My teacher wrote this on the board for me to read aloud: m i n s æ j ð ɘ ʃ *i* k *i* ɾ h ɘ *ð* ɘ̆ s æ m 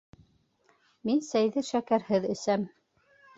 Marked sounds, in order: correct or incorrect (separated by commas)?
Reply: incorrect, incorrect, correct